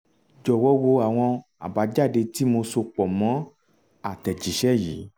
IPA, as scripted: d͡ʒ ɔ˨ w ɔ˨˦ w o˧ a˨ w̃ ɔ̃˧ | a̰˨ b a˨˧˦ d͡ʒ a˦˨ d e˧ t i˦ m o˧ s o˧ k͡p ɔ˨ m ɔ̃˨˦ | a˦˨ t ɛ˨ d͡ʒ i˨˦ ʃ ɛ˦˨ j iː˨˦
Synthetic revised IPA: d͡ʒ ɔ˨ w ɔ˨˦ w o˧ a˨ w̃ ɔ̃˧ | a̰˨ b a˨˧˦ d͡ʒ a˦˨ d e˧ t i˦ m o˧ s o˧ k͡p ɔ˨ m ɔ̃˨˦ | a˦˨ t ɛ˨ d͡ʒ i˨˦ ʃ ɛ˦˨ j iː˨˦